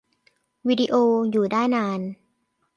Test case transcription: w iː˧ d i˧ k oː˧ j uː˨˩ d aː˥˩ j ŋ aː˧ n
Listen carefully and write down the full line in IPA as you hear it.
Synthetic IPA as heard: w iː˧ d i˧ ʔ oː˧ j uː˨˩ d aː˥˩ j n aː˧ n

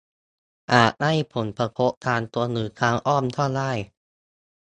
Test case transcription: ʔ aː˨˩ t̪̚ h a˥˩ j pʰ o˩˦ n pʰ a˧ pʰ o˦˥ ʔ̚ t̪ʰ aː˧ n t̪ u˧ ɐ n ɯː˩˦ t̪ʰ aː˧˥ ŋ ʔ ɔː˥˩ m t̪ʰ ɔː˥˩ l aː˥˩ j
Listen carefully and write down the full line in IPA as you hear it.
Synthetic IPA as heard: ʔ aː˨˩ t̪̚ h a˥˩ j pʰ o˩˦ n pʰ a˧ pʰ o˦˥ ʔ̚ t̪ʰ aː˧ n t̪ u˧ ɐ n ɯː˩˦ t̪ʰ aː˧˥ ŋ ʔ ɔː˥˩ m t̪ʰ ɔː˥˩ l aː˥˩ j

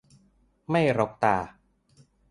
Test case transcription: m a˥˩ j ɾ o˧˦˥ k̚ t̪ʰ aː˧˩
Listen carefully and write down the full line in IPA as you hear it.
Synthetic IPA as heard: m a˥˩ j ɾ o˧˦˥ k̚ t̪ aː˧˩

